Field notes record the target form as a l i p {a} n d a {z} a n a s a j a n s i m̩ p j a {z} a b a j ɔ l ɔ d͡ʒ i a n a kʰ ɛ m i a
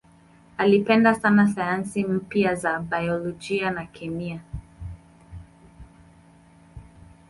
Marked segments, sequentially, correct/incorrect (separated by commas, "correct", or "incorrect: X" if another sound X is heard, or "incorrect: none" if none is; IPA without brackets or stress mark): incorrect: ɛ, incorrect: s, correct